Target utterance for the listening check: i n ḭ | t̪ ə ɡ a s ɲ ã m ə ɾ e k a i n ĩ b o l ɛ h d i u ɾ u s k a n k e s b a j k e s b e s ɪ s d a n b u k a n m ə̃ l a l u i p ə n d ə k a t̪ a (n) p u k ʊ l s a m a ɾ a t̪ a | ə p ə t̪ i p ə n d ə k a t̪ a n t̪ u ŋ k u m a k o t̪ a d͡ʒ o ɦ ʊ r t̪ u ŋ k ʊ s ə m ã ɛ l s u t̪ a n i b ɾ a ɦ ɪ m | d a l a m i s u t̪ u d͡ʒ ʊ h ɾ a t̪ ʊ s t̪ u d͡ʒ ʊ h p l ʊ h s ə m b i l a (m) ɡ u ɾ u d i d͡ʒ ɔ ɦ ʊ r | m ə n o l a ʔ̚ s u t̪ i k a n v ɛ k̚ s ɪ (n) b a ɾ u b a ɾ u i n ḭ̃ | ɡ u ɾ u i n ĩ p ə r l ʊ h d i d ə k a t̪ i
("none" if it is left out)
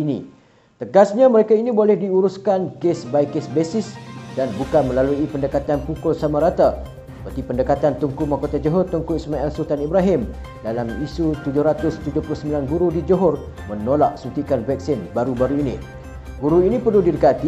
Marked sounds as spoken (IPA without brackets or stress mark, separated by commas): n, n, n